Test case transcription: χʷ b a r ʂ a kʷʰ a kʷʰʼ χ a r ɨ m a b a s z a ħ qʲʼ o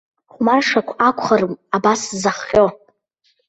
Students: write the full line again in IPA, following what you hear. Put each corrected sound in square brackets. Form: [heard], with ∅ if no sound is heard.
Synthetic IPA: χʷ [m] a r ʂ a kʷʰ a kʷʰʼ χ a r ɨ m a b a s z a [χ] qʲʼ o